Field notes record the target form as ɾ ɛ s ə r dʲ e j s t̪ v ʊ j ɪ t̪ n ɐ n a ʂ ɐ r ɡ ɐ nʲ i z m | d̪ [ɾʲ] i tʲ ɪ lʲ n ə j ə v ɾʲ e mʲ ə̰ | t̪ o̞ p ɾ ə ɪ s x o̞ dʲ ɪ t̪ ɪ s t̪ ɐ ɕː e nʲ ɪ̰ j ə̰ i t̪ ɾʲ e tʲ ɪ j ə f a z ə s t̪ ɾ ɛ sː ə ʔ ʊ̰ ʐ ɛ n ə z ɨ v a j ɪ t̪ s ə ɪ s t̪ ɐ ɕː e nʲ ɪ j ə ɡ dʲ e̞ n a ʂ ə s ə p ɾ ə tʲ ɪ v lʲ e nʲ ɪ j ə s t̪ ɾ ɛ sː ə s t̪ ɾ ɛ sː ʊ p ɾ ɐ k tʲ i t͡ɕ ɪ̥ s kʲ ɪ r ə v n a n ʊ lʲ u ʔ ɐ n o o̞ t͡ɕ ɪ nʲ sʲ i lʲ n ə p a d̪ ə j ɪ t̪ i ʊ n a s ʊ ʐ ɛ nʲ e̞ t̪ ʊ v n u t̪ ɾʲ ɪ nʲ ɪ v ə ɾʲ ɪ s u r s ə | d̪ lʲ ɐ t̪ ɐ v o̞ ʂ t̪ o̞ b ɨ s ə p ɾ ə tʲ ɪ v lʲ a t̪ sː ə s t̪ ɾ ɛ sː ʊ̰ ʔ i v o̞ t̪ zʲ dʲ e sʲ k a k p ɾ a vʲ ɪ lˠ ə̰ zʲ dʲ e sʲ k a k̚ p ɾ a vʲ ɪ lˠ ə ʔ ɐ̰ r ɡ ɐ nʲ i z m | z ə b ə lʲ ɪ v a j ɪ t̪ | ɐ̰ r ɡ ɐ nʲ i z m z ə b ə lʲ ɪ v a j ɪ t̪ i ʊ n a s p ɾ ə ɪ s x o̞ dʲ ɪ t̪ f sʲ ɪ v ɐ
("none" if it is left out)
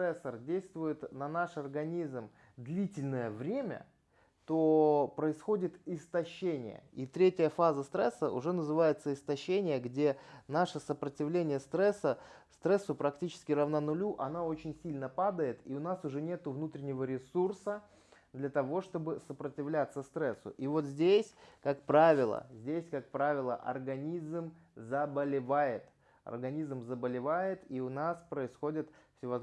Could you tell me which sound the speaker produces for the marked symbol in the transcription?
lʲ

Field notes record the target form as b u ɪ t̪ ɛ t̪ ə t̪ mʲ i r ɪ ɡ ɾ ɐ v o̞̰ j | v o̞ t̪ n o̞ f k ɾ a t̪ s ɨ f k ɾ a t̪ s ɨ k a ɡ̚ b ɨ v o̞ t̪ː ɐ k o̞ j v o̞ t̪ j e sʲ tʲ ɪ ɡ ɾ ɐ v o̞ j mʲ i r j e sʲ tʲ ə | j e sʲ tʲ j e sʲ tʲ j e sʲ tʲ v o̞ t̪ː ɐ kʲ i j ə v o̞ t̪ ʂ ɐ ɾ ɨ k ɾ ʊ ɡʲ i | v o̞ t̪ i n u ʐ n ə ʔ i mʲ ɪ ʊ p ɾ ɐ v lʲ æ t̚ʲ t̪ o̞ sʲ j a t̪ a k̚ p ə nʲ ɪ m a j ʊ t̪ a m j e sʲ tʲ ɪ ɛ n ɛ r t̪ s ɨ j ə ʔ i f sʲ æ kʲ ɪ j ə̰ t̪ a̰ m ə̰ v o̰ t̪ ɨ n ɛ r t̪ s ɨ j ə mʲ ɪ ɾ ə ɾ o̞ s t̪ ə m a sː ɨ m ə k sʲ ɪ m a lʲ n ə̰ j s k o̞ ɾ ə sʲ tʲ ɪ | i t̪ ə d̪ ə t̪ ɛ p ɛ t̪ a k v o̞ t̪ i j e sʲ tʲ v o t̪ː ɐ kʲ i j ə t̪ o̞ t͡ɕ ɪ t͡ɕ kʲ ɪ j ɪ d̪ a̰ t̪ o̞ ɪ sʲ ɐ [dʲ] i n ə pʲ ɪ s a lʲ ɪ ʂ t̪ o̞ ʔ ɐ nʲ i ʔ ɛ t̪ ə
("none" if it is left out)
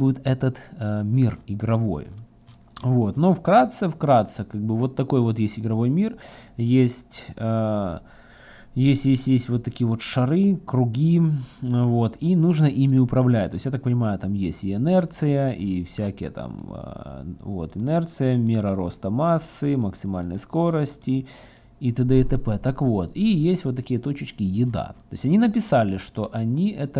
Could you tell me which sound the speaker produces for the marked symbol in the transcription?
nʲ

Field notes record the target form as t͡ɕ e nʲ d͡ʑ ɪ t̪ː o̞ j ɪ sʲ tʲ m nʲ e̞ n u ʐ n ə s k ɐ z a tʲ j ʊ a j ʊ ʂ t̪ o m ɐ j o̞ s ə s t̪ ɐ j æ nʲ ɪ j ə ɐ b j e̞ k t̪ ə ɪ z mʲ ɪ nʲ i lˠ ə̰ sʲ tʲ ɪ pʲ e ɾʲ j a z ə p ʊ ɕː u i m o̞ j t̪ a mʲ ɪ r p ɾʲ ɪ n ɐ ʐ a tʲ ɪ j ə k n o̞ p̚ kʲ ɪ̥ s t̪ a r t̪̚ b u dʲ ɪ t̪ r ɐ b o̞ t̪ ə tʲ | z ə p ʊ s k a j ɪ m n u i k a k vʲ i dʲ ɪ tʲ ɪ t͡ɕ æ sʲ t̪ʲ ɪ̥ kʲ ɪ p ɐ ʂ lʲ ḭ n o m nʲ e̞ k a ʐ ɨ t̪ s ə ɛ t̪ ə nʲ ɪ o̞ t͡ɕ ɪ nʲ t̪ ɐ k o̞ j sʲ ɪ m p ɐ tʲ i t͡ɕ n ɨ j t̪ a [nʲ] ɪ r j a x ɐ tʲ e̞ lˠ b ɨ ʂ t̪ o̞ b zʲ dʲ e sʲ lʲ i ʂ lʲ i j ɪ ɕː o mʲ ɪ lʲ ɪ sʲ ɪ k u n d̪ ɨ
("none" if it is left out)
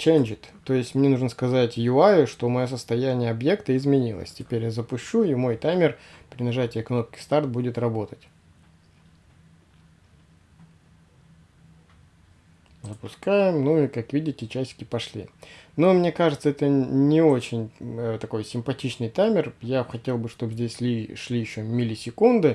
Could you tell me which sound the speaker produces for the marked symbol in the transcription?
mʲ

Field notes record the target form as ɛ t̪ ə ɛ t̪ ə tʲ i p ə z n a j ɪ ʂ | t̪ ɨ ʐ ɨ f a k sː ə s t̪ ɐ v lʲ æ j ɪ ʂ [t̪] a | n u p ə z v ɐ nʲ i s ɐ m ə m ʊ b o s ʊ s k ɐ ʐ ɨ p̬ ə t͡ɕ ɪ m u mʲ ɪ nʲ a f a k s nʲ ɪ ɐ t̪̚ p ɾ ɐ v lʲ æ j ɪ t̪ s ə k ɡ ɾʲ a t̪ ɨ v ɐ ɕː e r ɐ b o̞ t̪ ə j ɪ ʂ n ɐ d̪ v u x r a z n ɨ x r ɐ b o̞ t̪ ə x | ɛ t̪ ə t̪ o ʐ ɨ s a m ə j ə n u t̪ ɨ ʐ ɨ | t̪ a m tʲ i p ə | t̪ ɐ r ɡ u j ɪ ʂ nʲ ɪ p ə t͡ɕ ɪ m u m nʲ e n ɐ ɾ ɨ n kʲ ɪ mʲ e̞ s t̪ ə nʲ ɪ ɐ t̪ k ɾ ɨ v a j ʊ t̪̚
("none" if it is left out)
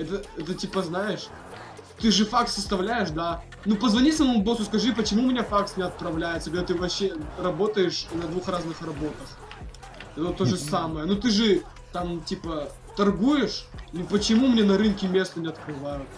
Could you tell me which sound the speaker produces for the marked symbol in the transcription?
d̪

